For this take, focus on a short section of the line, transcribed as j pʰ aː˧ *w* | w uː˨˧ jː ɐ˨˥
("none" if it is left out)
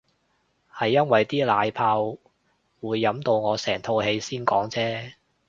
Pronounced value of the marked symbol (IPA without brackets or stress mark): w